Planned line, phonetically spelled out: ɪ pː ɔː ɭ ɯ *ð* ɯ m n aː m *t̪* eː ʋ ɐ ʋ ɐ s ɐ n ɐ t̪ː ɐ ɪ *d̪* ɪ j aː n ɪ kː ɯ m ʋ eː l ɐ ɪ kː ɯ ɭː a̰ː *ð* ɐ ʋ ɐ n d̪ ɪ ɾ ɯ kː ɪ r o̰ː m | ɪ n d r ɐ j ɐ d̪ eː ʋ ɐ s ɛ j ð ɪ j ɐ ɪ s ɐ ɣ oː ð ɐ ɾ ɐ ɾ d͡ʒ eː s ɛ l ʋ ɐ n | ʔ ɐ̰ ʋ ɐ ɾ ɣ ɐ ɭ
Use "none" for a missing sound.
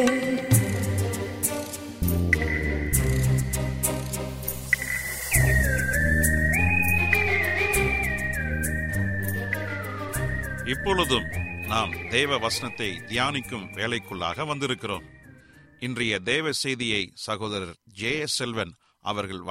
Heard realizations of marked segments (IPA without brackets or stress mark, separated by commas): ð, d̪, d̪, ɣ